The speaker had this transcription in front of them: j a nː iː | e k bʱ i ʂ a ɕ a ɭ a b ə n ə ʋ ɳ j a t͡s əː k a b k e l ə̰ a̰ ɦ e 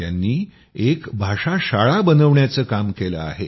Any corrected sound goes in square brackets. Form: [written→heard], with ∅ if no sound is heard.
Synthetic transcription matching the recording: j a nː iː | e k bʱ [i→a] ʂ a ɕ a ɭ a b ə n ə ʋ ɳ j a t͡s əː k a [b→m] k e l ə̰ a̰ ɦ e